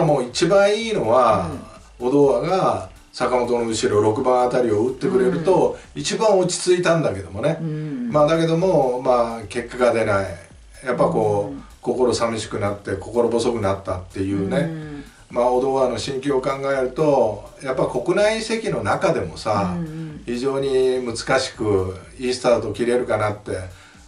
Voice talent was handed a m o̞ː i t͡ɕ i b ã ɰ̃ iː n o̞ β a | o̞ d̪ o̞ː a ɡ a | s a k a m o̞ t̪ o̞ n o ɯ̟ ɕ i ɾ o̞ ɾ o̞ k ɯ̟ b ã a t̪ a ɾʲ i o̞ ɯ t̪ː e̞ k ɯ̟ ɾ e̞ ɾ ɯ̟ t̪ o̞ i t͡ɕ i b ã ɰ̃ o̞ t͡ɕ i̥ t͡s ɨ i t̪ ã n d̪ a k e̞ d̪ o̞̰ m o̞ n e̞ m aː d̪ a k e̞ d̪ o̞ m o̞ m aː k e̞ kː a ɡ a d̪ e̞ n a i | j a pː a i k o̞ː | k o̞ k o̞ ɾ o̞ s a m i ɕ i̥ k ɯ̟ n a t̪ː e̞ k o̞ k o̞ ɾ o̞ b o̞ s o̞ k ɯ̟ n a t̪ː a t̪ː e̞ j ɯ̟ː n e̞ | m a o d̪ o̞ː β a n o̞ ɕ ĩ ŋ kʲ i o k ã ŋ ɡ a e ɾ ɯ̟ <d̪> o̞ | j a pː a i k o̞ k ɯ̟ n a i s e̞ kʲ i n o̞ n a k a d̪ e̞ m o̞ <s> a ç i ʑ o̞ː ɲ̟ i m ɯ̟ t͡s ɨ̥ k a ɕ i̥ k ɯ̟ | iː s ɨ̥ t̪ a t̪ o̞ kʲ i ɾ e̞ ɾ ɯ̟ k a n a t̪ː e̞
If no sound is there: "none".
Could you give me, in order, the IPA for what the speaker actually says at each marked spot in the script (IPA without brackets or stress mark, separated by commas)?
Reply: t̪, s